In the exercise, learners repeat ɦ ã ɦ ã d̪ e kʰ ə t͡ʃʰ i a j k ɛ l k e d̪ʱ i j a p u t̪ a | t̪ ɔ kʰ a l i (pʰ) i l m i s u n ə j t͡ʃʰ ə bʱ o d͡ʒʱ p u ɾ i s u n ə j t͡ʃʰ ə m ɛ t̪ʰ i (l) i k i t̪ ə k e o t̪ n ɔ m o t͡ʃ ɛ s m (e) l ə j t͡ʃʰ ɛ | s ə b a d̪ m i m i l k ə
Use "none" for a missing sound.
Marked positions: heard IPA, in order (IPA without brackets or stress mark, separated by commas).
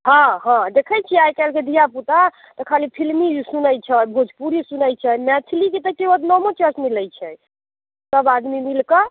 pʰ, l, i